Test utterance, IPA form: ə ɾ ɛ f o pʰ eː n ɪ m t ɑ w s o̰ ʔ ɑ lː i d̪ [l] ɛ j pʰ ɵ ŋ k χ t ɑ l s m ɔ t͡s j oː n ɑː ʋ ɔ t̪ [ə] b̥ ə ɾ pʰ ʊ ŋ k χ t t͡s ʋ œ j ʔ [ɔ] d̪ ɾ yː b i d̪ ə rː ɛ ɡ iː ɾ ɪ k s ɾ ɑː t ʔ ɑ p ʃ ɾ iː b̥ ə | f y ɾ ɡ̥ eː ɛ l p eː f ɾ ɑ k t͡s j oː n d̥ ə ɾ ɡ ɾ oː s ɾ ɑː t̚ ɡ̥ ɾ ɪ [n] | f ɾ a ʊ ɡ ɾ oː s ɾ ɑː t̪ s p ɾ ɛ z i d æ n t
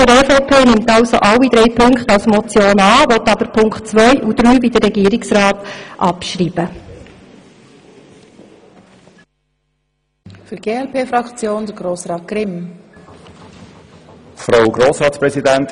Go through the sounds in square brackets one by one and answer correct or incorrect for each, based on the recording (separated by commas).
incorrect, incorrect, incorrect, incorrect